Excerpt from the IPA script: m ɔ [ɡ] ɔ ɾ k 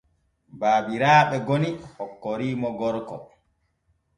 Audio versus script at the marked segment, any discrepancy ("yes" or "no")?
no